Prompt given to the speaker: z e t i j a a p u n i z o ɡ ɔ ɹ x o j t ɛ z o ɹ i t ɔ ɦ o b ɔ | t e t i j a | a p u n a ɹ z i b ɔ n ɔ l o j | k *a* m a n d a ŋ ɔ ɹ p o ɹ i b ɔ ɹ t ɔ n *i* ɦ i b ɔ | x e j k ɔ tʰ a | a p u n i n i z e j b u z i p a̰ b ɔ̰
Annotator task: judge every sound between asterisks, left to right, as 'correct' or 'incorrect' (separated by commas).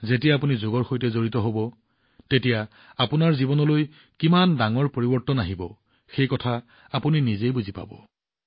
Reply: incorrect, incorrect